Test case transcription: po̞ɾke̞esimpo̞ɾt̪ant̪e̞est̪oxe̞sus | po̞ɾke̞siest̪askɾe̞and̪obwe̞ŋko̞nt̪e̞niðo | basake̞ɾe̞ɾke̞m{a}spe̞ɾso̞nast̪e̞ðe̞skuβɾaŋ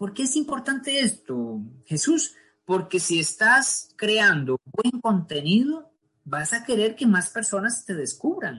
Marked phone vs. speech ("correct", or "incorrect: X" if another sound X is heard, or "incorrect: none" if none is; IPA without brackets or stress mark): correct